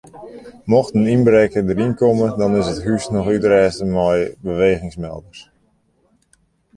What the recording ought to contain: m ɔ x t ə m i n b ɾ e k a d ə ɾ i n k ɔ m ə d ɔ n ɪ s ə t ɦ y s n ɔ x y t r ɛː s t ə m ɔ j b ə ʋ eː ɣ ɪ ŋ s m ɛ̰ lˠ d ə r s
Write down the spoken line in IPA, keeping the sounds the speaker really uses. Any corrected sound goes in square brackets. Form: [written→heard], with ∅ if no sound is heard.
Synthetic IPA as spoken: m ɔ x t ə [m→n] i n b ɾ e k [a→ə] d ə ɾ i n k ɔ m ə d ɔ n ɪ s ə t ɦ y s n ɔ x y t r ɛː s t ə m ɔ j b ə ʋ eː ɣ ɪ ŋ s m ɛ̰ lˠ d ə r s

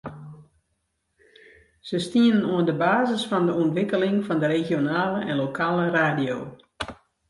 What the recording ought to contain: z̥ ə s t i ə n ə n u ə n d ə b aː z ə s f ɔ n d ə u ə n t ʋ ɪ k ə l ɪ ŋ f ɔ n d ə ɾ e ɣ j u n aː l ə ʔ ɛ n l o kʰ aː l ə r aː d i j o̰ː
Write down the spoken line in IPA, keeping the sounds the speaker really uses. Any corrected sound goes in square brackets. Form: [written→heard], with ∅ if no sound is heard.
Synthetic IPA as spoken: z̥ ə s t i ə n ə n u ə n d ə b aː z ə s f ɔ n d ə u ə n t ʋ ɪ k ə l ɪ ŋ f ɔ n d ə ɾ e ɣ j [u→o] n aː l ə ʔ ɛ n l o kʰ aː l ə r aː d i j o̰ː

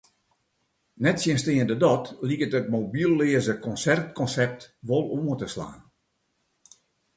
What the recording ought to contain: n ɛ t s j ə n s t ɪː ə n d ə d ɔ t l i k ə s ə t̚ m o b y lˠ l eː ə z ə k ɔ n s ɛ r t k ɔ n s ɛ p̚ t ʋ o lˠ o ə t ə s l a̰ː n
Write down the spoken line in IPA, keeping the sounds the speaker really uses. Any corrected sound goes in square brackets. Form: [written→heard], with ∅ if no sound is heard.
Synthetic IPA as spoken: n ɛ t s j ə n s t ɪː ə n d ə d ɔ t l i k ə [s→t] ə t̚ m o b [y→i] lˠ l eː ə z ə k ɔ n s ɛ r t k ɔ n s ɛ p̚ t ʋ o lˠ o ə t ə s l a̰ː n

